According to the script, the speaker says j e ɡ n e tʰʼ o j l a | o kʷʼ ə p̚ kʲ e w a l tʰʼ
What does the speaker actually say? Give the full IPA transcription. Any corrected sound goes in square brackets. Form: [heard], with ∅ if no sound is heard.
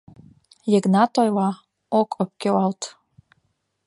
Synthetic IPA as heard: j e ɡ n [a] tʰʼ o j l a | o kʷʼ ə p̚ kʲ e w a l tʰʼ